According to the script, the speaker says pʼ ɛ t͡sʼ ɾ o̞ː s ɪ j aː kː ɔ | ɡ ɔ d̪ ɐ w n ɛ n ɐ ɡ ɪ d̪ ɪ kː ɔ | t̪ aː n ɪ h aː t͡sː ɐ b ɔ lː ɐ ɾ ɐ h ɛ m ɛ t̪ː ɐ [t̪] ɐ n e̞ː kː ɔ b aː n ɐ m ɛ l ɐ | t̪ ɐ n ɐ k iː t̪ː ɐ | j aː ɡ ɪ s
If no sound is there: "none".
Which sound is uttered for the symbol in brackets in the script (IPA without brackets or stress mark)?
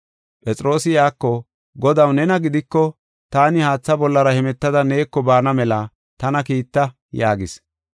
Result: d̪